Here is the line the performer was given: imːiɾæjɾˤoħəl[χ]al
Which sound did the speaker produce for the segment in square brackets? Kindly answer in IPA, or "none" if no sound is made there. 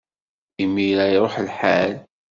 ħ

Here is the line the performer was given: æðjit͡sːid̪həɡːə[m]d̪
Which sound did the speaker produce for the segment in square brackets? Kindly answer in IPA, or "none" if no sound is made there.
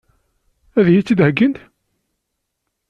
n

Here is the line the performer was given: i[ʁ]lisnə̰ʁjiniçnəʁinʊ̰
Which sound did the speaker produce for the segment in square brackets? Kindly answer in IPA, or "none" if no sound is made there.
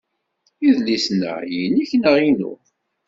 ð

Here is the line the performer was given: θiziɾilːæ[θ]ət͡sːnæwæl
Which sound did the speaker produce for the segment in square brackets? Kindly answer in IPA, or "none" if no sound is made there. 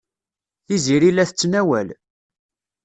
θ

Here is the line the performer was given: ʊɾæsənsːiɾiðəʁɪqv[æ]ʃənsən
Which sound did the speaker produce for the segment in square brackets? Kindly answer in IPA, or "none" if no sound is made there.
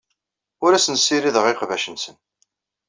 æ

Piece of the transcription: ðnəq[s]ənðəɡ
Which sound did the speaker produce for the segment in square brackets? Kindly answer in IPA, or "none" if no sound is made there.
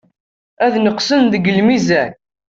s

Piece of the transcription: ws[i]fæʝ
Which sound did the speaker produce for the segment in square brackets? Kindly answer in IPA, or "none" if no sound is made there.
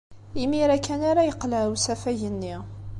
æ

